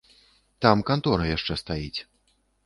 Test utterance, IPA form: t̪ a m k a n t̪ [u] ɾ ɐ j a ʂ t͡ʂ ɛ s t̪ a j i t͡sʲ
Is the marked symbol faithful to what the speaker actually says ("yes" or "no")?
no